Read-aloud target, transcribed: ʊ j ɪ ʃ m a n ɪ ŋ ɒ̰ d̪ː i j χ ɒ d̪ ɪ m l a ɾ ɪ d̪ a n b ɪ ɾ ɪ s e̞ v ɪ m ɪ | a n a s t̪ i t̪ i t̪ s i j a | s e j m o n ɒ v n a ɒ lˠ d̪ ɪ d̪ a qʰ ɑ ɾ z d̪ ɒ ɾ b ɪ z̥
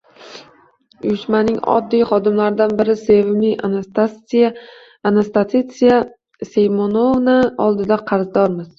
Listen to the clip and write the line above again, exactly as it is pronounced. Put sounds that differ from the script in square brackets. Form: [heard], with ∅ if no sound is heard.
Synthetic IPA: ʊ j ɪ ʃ m a n ɪ ŋ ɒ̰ d̪ː i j χ ɒ d̪ ɪ m l a ɾ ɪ d̪ a n b ɪ ɾ ɪ s e̞ v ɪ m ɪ | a n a s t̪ [a] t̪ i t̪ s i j a | s e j m o n [o] v n a ɒ lˠ d̪ ɪ d̪ a qʰ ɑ ɾ z d̪ ɒ ɾ [m] ɪ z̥